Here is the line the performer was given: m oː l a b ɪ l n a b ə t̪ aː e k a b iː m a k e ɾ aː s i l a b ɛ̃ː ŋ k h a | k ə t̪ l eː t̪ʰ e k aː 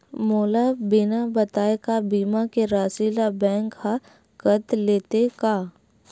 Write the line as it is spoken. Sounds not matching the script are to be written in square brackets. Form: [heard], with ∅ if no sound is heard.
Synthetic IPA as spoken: m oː l a b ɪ [∅] n a b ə t̪ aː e k a b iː m a k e ɾ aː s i l a b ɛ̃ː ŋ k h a | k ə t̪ l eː [t̪] e k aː